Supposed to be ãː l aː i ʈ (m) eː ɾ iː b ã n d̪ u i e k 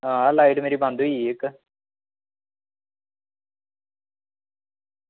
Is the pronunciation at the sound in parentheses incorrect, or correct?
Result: correct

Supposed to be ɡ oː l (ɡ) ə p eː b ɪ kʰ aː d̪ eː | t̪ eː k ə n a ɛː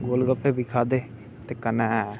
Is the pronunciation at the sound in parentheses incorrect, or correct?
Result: correct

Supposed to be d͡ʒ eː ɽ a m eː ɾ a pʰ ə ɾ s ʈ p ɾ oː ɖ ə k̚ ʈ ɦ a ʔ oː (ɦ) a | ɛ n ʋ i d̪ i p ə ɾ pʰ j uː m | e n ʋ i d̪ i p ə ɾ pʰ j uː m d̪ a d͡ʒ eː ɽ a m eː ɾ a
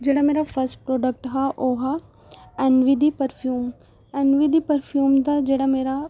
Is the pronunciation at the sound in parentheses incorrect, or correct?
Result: correct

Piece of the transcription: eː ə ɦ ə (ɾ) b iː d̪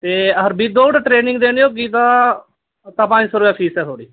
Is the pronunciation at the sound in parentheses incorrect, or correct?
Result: correct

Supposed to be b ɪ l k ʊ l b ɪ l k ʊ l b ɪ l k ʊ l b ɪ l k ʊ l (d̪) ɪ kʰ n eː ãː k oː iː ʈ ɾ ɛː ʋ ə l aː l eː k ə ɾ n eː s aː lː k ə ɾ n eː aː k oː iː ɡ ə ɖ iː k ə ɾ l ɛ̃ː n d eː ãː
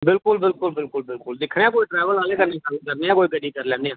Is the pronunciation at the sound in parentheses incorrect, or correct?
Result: correct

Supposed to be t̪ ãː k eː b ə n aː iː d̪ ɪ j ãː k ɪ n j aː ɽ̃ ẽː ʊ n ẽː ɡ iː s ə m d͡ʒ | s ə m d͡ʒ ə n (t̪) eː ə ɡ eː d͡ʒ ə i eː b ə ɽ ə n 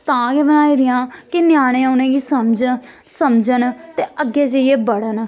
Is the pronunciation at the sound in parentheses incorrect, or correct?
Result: correct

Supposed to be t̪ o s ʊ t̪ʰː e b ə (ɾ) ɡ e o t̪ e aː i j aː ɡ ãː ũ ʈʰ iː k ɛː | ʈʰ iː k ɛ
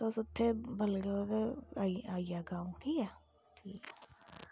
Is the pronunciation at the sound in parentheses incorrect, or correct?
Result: incorrect: l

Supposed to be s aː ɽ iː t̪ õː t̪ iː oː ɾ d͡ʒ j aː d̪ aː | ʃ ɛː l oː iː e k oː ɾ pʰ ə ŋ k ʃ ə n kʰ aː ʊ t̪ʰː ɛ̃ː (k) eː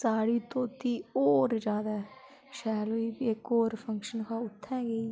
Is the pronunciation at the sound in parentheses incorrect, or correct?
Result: incorrect: ɡ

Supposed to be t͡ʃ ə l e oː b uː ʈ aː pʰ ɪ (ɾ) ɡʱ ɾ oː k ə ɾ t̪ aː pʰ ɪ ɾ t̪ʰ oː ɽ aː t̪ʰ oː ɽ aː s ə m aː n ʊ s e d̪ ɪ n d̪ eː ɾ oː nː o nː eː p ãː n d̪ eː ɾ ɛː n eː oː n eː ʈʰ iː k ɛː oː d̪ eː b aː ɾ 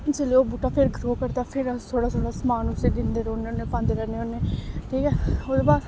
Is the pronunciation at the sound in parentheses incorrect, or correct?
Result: correct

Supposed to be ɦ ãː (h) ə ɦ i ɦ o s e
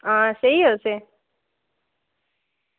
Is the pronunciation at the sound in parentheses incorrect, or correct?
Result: incorrect: s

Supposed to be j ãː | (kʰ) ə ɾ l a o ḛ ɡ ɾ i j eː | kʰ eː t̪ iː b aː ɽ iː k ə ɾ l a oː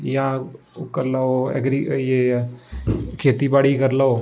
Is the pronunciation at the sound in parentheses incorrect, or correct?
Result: incorrect: k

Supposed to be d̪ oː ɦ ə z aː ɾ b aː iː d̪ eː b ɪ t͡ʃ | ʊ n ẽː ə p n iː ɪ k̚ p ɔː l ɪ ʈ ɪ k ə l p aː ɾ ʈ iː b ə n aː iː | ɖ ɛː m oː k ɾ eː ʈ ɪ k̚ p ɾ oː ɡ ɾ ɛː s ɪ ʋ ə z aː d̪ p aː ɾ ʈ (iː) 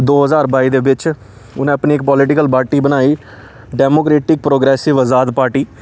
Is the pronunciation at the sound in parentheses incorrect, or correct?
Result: correct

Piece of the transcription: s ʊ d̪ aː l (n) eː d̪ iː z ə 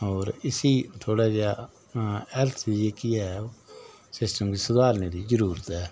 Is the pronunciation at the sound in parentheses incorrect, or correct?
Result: correct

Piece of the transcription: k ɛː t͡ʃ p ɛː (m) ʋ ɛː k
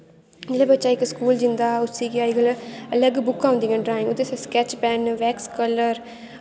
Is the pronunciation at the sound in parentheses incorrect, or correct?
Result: incorrect: n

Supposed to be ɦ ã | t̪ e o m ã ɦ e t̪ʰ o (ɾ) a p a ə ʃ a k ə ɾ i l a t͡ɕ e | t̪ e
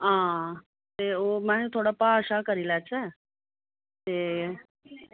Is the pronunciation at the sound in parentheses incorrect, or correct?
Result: incorrect: ɽ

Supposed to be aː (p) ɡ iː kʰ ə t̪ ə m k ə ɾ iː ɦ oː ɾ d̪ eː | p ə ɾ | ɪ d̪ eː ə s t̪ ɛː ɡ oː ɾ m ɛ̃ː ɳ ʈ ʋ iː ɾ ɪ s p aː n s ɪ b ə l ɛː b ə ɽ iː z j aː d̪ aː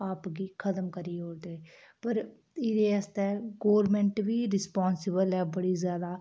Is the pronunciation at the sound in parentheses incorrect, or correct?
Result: correct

